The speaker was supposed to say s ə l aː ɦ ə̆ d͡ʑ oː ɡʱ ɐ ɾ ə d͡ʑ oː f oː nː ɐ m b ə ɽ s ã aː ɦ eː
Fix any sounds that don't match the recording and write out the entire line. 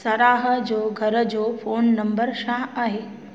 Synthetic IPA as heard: s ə ɾ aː ɦ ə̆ d͡ʑ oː ɡʱ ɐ ɾ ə d͡ʑ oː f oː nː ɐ m b ə ɾ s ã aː ɦ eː